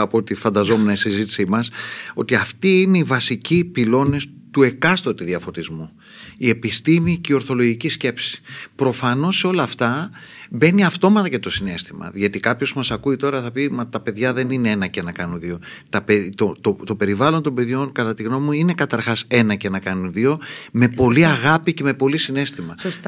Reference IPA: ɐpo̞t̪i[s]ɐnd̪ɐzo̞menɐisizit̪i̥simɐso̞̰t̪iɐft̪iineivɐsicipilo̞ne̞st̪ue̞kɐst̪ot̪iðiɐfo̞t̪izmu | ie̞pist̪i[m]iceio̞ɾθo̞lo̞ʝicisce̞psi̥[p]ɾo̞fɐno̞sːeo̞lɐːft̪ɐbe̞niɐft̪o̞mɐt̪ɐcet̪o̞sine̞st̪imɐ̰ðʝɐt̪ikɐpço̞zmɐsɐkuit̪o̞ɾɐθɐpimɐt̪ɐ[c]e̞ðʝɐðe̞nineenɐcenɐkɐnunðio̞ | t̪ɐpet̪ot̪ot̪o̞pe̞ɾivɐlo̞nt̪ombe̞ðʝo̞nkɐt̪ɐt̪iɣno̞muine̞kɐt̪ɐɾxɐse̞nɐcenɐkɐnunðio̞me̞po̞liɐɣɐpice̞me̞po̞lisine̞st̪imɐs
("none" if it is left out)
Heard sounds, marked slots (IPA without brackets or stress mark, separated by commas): f, m, p, p